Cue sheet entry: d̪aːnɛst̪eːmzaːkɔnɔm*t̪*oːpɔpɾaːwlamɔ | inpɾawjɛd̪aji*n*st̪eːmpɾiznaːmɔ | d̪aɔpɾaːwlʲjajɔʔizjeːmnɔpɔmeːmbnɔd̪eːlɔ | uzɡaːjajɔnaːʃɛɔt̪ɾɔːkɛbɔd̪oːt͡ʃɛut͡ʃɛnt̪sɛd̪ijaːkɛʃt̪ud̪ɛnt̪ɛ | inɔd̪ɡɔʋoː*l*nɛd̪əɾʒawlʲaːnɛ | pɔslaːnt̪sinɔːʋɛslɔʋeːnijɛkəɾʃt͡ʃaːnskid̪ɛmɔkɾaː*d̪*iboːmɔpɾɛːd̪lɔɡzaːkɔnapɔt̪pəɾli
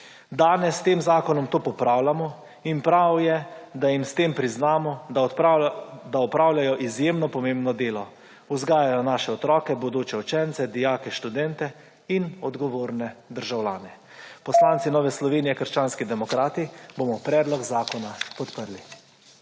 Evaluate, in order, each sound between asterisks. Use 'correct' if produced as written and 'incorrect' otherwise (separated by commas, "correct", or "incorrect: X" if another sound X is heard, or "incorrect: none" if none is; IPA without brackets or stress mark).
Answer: correct, incorrect: m, incorrect: ɾ, incorrect: t̪